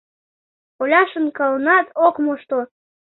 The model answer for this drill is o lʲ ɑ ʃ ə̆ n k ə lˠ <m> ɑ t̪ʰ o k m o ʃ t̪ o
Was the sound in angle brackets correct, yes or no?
no